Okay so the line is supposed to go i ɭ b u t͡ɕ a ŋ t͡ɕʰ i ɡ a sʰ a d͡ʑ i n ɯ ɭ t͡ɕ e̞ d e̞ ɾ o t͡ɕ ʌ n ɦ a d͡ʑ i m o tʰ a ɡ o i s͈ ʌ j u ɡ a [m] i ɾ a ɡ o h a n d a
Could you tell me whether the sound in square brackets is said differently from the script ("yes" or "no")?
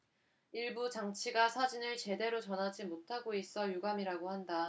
no